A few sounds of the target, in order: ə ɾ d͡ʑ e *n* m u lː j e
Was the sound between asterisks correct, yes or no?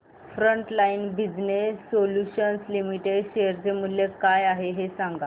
no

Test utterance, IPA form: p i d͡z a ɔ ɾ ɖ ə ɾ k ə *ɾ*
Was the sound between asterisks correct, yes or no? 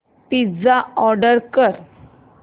yes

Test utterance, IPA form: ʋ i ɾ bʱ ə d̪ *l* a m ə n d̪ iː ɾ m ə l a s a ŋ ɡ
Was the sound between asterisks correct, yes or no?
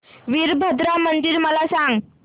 no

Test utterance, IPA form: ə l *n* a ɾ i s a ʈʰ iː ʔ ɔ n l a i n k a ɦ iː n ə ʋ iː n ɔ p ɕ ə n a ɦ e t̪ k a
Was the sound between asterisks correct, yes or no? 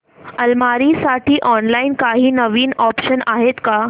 no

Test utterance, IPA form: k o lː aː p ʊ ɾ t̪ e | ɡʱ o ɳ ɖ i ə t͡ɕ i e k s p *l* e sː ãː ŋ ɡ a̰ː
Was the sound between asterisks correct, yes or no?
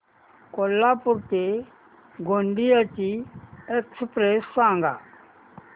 no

